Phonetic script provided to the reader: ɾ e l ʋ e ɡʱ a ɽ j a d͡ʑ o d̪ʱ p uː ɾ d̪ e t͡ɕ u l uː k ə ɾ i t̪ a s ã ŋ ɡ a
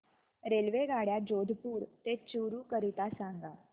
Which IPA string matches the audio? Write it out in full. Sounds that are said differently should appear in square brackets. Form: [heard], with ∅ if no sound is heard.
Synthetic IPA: ɾ e l ʋ e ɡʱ a ɽ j a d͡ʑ o d̪ʱ p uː ɾ [t̪] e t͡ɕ u [ɾ] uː k ə ɾ i t̪ a s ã ŋ ɡ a